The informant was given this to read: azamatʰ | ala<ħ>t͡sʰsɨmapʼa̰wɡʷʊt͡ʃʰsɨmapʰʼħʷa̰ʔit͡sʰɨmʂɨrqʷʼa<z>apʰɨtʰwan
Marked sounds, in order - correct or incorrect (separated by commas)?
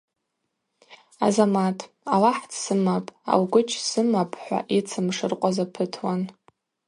correct, correct